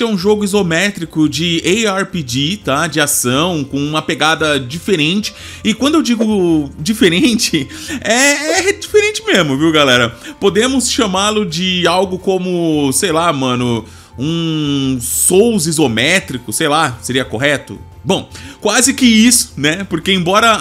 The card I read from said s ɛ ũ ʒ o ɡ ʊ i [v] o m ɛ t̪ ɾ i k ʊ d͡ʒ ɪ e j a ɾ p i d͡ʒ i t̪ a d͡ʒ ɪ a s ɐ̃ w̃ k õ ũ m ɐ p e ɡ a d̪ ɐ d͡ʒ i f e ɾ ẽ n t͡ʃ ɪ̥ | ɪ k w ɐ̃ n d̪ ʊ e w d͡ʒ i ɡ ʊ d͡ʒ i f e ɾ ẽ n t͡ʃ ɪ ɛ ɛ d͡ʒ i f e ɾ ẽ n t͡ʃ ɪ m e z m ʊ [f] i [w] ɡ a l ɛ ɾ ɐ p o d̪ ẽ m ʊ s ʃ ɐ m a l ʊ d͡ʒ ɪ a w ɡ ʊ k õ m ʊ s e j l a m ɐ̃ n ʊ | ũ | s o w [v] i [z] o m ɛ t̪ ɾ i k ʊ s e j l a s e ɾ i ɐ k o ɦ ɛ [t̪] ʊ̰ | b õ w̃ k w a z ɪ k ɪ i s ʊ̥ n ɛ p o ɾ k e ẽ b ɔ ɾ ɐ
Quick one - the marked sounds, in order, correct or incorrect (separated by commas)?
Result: incorrect, incorrect, correct, incorrect, correct, correct